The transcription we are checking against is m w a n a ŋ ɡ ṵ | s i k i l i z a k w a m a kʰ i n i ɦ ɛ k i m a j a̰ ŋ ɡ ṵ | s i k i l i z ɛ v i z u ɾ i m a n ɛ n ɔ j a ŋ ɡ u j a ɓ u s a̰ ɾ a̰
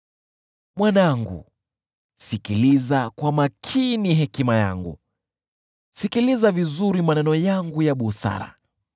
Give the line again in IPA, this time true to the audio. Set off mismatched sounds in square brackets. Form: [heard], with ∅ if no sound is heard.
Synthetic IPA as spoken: m w a n a ŋ ɡ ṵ | s i k i l i z a k w a m a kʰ i n i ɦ ɛ k i m a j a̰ ŋ ɡ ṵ | s i k i l i z [a] v i z u ɾ i m a n ɛ n ɔ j a ŋ ɡ u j a ɓ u s a̰ ɾ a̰